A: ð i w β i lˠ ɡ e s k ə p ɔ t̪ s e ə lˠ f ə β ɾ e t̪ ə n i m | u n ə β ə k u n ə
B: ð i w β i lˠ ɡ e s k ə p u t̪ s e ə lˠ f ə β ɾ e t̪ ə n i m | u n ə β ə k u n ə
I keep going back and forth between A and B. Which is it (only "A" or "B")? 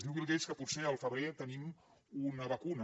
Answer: B